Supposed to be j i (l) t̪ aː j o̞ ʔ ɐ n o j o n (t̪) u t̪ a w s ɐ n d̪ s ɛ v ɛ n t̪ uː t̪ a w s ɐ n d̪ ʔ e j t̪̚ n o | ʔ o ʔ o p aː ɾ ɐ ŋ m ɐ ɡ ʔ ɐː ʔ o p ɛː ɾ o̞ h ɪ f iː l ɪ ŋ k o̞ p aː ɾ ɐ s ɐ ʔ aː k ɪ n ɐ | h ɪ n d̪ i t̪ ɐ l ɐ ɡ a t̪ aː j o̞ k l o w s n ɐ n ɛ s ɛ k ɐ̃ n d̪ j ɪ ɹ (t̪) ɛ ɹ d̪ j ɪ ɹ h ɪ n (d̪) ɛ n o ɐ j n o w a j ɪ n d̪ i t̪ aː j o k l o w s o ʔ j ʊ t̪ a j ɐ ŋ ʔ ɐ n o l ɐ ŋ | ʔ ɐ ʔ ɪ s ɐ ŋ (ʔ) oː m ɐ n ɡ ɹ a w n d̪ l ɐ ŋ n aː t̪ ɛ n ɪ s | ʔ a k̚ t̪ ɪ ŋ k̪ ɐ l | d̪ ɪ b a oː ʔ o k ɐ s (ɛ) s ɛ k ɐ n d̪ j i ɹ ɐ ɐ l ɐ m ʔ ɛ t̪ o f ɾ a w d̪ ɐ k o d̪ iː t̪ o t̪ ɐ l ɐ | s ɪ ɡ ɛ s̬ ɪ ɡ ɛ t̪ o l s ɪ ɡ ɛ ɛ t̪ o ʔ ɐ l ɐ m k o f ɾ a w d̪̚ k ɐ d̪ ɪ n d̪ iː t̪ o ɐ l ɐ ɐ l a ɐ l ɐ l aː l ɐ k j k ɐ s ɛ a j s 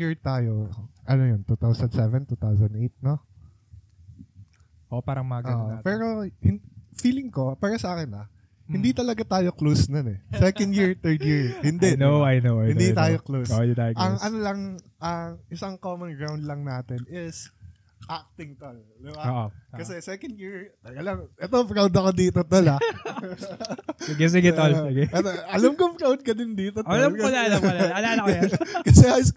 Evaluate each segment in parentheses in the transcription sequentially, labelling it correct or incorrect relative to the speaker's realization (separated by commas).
incorrect, correct, correct, correct, incorrect, correct